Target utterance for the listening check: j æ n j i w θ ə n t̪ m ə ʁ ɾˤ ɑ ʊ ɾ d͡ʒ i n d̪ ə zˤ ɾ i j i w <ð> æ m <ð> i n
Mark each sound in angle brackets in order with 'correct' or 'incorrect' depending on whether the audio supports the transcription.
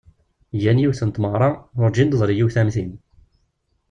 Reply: incorrect: θ, incorrect: θ

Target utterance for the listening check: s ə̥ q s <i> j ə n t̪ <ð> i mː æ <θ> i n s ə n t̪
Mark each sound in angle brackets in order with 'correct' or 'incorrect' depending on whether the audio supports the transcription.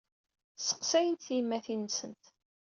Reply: incorrect: æ, incorrect: θ, correct

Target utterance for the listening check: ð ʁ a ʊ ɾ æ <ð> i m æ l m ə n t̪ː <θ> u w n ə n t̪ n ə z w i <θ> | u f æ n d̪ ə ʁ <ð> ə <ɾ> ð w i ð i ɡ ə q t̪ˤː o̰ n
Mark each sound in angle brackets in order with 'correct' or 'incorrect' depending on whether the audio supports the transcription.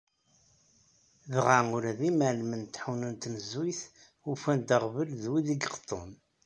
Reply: correct, incorrect: ħ, correct, incorrect: v, incorrect: l

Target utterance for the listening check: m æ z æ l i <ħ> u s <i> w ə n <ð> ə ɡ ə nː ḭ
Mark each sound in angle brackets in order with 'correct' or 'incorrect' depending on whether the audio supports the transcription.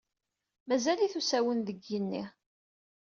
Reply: incorrect: θ, incorrect: æ, correct

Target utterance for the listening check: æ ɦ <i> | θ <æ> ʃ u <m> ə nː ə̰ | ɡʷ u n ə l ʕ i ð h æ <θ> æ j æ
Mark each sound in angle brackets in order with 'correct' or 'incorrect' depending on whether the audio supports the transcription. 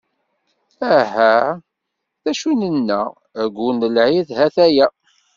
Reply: incorrect: æ, correct, incorrect: n, correct

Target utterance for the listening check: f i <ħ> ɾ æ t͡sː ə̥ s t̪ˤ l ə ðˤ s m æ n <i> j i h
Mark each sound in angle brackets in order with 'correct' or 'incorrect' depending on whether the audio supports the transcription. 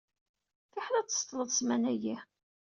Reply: correct, incorrect: æ

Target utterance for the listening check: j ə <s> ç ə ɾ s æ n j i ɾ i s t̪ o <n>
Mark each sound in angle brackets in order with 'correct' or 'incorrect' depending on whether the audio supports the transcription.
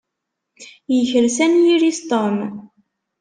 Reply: incorrect: none, incorrect: m

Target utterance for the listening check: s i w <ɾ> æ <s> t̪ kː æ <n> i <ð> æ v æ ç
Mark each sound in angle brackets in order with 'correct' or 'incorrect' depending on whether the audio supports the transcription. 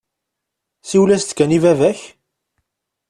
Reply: incorrect: l, correct, correct, incorrect: v

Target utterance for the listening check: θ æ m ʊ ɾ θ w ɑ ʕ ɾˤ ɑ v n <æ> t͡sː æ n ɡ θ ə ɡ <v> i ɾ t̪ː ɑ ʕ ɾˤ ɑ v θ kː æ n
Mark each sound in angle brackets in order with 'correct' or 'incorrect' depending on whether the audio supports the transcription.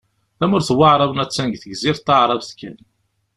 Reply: correct, incorrect: z

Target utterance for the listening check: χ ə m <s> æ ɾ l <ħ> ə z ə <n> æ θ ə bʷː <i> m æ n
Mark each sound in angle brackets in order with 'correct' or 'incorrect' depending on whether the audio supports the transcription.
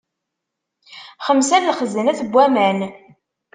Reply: correct, incorrect: χ, correct, incorrect: æ

